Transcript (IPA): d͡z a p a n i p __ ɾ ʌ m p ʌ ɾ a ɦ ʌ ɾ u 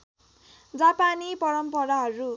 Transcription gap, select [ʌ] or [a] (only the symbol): ʌ